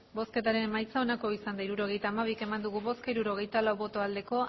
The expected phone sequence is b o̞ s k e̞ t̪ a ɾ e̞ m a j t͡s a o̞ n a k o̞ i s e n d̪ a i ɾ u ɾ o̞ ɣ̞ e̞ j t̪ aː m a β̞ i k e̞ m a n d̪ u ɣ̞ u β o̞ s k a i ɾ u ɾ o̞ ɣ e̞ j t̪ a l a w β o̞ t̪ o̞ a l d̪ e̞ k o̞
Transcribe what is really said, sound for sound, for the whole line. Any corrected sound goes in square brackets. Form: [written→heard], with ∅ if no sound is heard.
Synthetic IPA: b o̞ s k e̞ t̪ a ɾ e̞ m a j t͡s a o̞ n a k o̞ i s [e→a] n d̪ a i ɾ u ɾ o̞ ɣ̞ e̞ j t̪ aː m a β̞ i k e̞ m a n d̪ u ɣ̞ u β o̞ s k a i ɾ u ɾ o̞ ɣ e̞ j t̪ a l a w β o̞ t̪ o̞ a l d̪ e̞ k o̞